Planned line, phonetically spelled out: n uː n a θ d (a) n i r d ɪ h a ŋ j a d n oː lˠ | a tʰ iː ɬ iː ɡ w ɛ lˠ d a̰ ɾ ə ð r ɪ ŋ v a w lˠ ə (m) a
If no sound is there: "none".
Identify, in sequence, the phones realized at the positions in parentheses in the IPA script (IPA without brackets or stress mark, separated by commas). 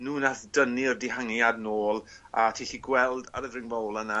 ə, n